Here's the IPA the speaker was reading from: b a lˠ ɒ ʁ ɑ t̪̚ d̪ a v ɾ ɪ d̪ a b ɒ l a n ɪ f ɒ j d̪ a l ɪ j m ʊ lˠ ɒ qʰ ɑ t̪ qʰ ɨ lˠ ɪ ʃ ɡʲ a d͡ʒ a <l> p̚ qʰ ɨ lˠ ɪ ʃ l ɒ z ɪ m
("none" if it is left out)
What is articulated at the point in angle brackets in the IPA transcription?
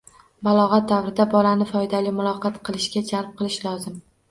l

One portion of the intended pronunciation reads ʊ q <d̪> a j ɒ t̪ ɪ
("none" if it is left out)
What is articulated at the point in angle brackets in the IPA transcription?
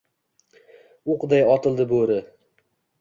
d̪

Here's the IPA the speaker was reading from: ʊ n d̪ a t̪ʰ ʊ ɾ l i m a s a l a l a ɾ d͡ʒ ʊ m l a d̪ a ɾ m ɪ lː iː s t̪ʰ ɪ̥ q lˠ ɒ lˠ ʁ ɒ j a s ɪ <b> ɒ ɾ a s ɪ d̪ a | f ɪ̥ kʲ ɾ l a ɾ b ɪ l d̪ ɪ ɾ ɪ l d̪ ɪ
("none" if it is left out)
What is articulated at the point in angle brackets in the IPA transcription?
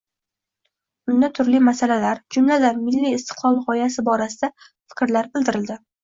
b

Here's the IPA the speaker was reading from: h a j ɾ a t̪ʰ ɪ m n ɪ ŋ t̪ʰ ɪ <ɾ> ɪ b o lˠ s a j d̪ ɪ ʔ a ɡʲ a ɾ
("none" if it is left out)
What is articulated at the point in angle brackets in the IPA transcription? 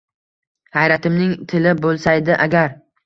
l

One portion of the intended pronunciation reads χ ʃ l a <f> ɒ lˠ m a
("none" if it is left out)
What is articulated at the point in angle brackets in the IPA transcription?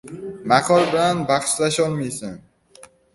ʃ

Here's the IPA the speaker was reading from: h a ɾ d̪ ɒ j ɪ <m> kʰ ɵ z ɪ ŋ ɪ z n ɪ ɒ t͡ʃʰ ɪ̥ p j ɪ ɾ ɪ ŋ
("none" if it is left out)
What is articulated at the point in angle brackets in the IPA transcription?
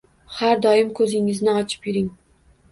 m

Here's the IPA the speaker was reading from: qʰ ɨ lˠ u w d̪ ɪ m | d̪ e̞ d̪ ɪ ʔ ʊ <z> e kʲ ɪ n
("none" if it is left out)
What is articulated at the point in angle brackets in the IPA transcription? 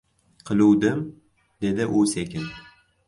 s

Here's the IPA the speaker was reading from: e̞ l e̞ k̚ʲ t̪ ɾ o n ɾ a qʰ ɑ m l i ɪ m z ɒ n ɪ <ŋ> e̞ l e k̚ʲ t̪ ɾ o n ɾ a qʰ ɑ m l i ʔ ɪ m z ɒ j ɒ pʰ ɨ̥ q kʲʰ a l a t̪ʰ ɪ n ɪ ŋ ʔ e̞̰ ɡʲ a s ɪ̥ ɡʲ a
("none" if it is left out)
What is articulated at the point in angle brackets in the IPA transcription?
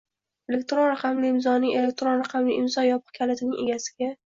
ŋ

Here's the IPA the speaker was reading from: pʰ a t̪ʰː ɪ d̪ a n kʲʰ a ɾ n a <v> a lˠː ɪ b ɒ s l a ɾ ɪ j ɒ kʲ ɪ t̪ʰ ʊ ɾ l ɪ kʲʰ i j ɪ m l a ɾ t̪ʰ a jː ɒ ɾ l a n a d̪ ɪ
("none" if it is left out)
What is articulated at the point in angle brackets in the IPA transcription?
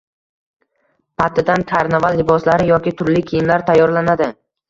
v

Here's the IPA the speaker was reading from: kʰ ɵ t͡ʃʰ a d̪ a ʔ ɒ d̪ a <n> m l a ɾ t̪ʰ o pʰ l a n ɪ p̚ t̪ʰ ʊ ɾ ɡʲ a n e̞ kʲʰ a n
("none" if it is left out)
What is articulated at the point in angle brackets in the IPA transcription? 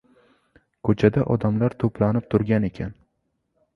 none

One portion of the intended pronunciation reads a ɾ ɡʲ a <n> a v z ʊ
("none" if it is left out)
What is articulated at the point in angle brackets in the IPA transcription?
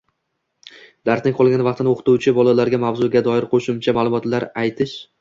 m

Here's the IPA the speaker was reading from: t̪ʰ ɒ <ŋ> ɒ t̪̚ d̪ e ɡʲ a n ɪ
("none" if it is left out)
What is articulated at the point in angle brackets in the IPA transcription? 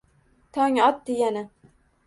ŋ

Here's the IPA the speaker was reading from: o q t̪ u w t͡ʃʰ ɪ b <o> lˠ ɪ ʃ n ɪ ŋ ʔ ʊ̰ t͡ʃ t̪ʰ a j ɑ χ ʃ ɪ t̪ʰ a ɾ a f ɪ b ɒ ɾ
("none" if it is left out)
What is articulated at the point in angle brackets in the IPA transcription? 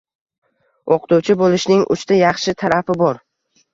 o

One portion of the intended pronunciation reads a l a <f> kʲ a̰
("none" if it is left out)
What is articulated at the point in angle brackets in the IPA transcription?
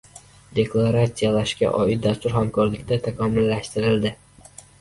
ʃ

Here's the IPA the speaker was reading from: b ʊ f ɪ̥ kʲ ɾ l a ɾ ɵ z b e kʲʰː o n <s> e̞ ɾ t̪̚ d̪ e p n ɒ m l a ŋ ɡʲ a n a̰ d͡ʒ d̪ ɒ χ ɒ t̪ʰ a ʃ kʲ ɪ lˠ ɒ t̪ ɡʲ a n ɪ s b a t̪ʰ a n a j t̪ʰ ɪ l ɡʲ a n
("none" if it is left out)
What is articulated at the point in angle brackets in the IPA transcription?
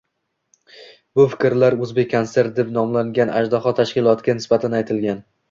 s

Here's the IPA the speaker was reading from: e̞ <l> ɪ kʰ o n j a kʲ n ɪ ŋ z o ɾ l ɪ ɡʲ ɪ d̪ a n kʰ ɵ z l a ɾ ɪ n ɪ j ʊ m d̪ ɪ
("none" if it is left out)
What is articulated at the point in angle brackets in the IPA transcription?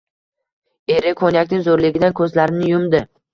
ɾ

